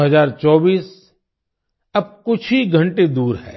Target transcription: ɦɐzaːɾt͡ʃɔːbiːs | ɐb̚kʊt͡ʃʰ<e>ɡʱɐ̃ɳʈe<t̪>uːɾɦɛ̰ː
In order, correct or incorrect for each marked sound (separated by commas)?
incorrect, incorrect